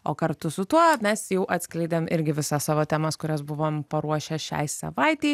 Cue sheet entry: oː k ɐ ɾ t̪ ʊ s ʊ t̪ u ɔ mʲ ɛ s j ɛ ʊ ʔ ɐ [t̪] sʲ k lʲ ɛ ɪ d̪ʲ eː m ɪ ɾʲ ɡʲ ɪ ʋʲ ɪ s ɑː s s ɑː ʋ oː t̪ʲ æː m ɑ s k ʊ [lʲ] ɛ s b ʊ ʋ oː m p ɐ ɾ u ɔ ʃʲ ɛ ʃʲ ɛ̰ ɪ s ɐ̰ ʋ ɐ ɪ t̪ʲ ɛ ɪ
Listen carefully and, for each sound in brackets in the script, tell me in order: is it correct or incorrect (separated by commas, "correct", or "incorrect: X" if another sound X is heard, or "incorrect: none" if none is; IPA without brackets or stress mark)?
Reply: correct, incorrect: ɾʲ